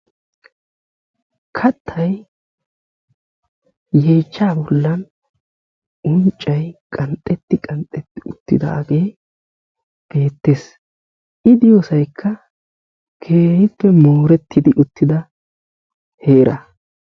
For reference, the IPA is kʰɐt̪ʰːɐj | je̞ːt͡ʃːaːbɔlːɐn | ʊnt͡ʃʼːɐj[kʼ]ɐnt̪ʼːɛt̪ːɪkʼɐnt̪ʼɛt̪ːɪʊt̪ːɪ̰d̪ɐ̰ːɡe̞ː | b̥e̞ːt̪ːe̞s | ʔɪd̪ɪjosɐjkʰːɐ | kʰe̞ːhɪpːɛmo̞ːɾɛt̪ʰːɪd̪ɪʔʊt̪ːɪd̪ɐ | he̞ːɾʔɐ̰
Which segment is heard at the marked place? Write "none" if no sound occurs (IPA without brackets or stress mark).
kʼ